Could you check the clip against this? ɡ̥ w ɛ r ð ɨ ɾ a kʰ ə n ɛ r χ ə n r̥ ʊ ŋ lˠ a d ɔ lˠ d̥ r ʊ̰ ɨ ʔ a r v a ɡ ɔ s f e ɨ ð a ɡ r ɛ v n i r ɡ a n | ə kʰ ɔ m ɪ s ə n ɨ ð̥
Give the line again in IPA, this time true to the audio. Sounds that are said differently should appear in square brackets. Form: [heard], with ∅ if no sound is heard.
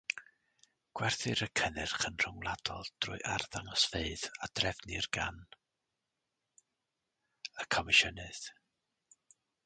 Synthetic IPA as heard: ɡ̥ w ɛ r [θ] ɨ ɾ [ə] kʰ ə n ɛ r χ ə n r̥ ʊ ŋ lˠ a d ɔ lˠ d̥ r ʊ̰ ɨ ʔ a r [ð] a [ŋ] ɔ s f e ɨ ð a [d] r ɛ v n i r ɡ a n | ə kʰ ɔ m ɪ [ʃ] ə n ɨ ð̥